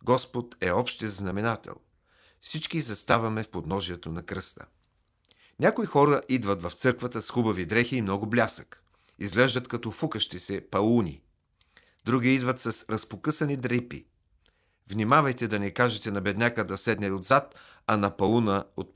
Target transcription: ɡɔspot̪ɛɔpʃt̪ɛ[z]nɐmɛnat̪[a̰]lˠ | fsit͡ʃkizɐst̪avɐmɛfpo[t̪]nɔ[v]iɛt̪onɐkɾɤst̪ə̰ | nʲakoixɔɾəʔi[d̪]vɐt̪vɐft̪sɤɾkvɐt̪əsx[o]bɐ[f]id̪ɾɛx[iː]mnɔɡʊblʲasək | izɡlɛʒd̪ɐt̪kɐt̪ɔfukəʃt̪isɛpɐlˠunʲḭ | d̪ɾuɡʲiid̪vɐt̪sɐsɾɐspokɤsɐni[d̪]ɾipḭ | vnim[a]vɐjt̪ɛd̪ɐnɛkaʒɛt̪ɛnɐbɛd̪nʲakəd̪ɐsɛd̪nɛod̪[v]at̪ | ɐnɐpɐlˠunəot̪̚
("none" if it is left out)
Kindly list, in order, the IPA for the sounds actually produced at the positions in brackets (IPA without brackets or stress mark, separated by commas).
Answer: z, ɛ̰, d̪, ʒ, d̪, u, v, iː, d̪, a, z